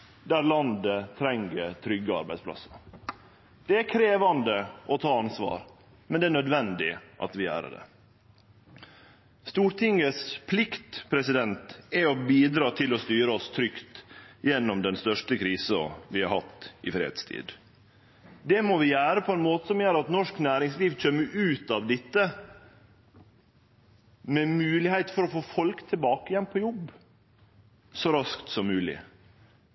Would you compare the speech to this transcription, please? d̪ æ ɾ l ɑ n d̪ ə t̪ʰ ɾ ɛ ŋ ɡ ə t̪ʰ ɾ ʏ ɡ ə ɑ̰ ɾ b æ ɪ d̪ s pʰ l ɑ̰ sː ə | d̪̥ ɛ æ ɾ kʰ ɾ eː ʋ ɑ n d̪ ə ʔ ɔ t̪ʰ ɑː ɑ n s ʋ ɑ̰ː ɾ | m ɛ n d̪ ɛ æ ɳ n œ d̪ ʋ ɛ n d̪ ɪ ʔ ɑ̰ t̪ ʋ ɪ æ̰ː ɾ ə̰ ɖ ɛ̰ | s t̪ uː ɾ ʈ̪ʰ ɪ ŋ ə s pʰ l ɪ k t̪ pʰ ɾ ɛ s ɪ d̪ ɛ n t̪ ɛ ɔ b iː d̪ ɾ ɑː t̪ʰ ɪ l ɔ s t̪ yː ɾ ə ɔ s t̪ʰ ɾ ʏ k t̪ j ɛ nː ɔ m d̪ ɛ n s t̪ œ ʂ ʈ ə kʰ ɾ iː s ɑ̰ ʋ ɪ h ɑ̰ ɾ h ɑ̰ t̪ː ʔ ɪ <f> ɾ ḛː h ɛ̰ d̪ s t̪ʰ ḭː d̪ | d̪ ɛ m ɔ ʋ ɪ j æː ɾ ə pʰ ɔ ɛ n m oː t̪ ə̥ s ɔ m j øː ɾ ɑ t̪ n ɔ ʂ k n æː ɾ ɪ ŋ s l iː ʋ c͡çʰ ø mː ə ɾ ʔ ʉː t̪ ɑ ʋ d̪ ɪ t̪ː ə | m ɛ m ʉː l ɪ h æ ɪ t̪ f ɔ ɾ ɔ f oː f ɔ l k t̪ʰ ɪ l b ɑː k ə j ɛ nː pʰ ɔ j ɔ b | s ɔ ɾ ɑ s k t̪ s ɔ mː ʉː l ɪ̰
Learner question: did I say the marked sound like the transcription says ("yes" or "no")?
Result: yes